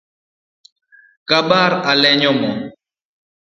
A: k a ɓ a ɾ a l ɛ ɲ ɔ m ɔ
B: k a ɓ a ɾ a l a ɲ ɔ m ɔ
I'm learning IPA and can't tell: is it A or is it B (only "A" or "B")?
A